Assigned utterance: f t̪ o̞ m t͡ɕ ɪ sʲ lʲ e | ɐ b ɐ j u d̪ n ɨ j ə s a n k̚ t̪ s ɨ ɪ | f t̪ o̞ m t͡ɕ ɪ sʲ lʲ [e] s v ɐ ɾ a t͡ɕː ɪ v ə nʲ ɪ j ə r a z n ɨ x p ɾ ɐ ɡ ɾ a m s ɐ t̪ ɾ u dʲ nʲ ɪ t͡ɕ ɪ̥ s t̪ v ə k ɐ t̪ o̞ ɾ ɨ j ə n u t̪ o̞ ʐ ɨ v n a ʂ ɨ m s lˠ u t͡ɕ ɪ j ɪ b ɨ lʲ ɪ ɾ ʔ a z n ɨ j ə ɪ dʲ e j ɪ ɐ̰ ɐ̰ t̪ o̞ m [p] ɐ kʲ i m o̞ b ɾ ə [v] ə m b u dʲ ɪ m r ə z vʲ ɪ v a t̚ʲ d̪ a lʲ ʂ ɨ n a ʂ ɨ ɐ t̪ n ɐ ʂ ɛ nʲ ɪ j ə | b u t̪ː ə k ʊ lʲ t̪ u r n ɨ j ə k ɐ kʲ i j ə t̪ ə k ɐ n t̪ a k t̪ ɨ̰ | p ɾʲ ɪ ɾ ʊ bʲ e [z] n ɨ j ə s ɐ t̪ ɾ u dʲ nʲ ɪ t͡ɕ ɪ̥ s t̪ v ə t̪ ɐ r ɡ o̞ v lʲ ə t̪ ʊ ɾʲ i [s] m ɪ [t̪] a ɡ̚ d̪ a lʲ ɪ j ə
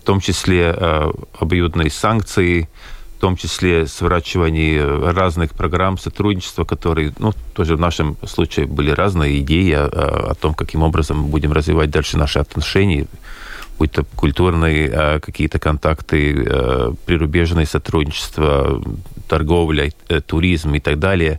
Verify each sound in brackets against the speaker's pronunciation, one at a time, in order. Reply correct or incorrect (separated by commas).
correct, incorrect, incorrect, incorrect, incorrect, correct